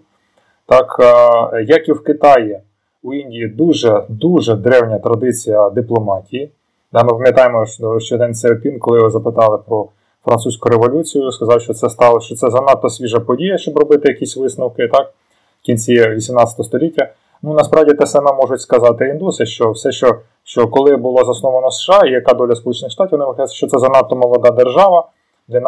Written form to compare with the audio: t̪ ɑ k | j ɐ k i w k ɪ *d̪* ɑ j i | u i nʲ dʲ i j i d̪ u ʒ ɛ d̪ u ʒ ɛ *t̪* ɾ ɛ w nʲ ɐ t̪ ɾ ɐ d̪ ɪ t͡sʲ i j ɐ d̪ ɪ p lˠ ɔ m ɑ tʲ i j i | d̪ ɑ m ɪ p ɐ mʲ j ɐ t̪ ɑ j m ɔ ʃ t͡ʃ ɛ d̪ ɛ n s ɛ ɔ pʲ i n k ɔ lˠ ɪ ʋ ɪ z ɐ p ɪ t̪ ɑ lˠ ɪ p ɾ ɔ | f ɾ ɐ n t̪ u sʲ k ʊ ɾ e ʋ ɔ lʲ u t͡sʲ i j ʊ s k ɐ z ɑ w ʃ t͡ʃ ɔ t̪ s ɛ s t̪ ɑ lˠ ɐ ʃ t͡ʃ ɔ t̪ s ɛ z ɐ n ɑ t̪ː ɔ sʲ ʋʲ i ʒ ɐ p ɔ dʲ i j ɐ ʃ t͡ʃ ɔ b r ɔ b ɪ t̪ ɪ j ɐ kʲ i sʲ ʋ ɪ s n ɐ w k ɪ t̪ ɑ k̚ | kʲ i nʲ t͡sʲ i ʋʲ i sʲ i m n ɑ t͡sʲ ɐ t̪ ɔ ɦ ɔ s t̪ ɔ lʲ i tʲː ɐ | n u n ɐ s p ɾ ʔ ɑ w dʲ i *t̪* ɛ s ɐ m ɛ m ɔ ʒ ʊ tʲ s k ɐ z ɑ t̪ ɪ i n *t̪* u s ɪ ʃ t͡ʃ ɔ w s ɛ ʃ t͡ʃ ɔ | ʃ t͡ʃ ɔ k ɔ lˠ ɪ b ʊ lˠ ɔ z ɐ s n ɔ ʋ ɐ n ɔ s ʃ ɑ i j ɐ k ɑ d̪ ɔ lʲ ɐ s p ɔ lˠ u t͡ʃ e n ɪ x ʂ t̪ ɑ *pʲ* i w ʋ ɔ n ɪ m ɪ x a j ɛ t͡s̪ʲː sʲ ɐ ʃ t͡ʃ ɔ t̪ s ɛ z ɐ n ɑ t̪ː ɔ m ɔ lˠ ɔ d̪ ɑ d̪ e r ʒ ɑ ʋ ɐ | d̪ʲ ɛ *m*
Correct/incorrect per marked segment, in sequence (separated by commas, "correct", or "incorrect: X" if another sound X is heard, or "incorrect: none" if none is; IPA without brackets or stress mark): incorrect: t̪, incorrect: d̪, correct, incorrect: d̪, incorrect: tʲ, incorrect: n